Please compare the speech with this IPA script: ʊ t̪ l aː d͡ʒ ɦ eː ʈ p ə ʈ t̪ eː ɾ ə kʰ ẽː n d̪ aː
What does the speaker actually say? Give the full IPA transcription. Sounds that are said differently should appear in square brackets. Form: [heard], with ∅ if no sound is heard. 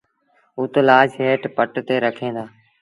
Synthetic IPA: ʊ t̪ l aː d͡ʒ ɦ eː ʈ p ə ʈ t̪ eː ɾ ə kʰ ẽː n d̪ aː